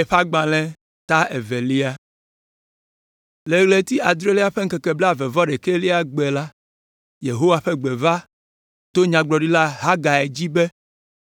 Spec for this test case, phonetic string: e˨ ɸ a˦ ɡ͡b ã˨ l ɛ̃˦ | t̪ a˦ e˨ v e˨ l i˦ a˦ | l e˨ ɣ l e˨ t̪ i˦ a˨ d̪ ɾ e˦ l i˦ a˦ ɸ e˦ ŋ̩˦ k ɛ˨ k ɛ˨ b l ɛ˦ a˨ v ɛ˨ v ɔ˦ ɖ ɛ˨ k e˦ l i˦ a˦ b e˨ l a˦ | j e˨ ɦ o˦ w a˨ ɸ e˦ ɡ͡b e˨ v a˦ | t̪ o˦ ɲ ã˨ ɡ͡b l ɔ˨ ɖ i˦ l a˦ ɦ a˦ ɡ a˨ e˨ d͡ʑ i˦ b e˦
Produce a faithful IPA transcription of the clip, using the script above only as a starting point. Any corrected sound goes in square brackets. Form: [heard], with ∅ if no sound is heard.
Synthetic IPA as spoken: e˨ ɸ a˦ ɡ͡b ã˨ l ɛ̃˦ | t̪ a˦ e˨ v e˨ l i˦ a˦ | l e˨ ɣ l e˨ t̪ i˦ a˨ d̪ ɾ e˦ l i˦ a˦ ɸ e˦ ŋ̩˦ k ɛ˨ k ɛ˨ b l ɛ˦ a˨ v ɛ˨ v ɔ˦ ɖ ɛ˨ k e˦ l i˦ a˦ [ɡ͡b] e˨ l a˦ | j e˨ ɦ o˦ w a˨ ɸ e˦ ɡ͡b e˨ v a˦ | t̪ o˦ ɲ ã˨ ɡ͡b l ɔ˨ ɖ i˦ l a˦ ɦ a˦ ɡ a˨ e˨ d͡ʑ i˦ b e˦

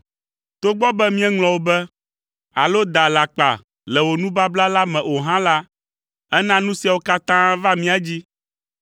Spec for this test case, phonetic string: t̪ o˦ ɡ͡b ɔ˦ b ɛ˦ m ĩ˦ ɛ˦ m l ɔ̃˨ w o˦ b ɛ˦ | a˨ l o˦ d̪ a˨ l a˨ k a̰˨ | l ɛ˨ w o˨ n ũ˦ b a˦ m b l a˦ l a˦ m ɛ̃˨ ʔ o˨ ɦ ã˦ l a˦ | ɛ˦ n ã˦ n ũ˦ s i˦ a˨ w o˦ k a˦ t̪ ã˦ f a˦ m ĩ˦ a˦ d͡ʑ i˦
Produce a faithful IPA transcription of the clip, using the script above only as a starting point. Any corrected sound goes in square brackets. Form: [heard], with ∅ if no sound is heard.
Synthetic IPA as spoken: t̪ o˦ ɡ͡b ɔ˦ b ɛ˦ m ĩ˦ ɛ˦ [ŋ] l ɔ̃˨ w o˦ b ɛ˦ | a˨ l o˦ d̪ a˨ l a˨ [k͡p] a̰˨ | l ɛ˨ w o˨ n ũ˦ b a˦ [∅] b l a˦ l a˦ m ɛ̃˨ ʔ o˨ ɦ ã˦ l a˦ | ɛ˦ n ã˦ n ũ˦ s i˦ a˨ w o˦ k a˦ t̪ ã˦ [v] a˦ m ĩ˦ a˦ d͡ʑ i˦

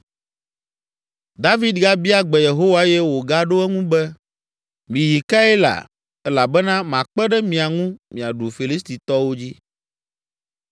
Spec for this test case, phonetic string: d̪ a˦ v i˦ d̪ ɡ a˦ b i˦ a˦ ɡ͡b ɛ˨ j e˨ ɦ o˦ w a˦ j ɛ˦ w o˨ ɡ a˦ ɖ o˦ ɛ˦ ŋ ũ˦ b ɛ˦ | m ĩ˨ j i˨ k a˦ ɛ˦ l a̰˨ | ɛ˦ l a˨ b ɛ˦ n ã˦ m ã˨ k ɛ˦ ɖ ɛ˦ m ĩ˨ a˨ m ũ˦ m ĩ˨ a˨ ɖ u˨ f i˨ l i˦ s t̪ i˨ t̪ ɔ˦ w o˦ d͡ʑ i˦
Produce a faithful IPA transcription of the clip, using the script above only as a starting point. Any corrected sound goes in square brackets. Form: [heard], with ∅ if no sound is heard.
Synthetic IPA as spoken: d̪ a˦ v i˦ d̪ ɡ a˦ b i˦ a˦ ɡ͡b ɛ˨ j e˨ ɦ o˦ w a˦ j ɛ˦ w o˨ ɡ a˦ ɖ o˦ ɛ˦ ŋ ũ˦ b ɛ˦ | m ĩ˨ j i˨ k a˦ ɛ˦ l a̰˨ | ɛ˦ l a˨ b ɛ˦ n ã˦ m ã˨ [k͡p] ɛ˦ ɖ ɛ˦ m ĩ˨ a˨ [ŋ] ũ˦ m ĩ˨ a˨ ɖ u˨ f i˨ l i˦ s t̪ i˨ t̪ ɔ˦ w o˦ d͡ʑ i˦

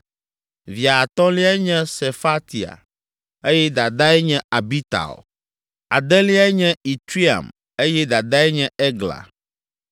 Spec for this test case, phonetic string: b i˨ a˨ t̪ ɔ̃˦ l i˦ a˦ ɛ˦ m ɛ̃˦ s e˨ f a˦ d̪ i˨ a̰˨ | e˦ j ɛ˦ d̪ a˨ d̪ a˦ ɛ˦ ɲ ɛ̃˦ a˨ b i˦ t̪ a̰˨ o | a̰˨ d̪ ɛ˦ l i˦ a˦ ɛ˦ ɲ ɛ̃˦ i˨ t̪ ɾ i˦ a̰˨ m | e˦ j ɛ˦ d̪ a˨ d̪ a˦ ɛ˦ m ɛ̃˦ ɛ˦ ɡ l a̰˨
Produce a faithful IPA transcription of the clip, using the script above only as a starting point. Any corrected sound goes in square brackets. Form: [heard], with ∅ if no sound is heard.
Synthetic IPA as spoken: [v] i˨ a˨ t̪ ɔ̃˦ l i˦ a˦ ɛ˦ [ɲ] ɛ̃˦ s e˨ f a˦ [t̪] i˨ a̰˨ | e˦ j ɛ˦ d̪ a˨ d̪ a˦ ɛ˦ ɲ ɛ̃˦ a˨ b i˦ t̪ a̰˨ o | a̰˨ d̪ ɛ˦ l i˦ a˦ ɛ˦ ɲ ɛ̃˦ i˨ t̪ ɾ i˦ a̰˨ m | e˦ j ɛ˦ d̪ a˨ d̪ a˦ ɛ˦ [ɲ] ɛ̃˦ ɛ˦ ɡ l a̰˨

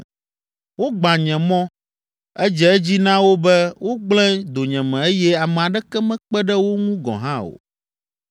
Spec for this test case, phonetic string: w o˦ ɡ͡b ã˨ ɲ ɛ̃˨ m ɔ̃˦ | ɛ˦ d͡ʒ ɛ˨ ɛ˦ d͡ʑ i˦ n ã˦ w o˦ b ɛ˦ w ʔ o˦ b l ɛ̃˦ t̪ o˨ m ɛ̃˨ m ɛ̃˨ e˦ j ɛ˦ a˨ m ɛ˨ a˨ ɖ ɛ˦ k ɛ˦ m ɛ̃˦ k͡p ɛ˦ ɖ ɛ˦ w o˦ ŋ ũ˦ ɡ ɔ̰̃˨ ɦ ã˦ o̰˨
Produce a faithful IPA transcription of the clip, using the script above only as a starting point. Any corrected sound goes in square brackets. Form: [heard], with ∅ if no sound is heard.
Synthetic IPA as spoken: w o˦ ɡ͡b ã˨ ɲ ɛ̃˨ m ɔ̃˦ | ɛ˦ d͡ʒ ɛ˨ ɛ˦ d͡ʑ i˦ n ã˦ w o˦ b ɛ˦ w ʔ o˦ [ɡ͡b] l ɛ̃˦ [d̪] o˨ [ɲ] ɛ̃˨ m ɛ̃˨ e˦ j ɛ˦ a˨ m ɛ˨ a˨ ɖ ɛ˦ k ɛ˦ m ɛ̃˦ k͡p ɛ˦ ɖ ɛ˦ w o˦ ŋ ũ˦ ɡ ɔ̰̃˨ ɦ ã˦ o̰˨

